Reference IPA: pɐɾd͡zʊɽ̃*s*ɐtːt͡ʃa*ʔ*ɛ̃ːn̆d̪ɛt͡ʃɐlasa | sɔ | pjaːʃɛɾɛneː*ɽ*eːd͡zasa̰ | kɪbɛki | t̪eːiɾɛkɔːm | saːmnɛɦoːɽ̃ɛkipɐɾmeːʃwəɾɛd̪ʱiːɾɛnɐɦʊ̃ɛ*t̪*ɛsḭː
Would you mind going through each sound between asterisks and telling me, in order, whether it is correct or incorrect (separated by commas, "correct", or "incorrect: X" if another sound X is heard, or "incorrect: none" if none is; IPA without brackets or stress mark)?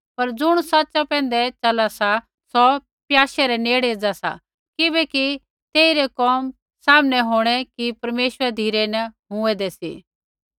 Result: correct, incorrect: p, correct, incorrect: d̪